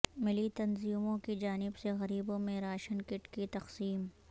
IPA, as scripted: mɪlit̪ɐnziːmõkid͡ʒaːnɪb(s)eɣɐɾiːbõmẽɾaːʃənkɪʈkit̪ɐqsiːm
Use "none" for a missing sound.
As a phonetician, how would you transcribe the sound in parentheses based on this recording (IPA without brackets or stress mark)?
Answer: s